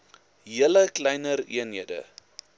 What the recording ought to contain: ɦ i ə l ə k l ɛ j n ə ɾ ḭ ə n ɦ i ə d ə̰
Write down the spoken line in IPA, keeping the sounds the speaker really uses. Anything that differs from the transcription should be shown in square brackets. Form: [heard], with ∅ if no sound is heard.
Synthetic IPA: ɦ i ə l ə k l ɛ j n ə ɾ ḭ ə n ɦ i ə d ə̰